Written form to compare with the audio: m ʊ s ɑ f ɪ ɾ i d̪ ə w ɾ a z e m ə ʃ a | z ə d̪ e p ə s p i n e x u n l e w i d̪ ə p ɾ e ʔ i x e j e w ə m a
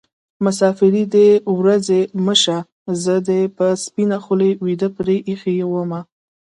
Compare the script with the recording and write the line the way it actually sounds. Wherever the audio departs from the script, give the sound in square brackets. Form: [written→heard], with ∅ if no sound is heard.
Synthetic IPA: m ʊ s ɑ f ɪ ɾ i d̪ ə w ɾ a z e m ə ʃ a | z ə d̪ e p ə s p i n [e→a] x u [n→∅] l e w i d̪ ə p ɾ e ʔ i x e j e w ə m a